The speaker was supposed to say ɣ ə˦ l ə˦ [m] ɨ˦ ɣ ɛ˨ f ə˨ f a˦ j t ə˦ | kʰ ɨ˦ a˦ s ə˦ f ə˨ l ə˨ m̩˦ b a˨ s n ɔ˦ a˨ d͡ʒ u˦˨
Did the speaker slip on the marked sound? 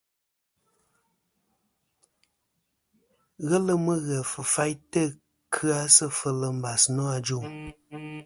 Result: no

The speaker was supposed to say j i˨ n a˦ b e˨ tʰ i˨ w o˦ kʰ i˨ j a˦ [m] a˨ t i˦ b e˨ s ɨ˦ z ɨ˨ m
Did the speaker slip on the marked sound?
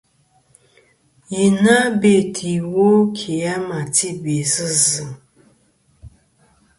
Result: no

